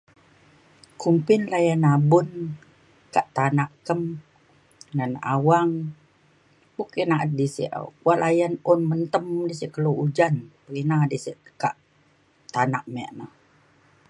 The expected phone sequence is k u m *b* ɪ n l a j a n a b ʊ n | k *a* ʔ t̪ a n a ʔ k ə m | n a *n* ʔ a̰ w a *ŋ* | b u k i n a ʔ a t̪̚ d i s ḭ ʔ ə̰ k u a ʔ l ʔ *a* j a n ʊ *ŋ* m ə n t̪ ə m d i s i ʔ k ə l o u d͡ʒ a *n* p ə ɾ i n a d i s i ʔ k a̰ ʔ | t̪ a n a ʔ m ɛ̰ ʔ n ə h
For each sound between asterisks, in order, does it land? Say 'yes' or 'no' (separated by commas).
no, yes, yes, yes, yes, no, yes